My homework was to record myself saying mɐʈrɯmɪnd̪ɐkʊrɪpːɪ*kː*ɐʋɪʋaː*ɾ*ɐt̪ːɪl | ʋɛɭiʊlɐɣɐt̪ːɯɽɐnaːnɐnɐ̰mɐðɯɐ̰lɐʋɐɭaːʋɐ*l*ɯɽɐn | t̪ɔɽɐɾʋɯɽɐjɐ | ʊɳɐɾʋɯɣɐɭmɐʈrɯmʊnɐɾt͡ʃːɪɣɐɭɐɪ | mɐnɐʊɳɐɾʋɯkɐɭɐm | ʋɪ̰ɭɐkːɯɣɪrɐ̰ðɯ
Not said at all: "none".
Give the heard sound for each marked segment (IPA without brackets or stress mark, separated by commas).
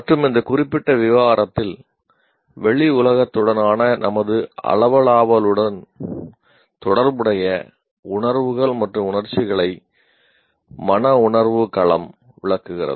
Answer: ʈː, ɾ, l